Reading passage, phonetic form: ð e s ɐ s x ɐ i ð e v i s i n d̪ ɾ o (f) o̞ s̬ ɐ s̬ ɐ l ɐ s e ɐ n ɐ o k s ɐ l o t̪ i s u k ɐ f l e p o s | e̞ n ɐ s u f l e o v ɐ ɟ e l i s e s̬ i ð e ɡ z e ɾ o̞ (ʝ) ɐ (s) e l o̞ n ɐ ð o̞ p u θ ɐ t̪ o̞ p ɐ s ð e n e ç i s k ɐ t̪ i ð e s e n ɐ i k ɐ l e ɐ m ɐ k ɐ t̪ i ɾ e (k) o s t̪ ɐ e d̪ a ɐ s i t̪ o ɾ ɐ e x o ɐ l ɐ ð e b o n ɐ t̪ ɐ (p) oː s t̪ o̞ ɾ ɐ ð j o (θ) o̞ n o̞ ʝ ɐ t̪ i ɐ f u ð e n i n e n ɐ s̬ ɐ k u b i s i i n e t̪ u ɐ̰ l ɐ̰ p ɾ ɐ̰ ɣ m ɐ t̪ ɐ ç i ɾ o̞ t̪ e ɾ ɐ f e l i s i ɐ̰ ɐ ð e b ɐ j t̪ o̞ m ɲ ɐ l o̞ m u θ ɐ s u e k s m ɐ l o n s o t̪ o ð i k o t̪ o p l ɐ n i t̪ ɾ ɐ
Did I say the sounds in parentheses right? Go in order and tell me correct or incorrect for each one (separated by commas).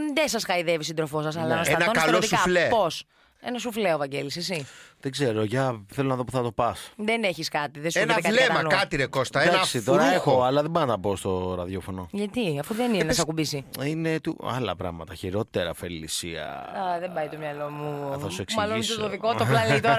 correct, correct, incorrect, correct, correct, incorrect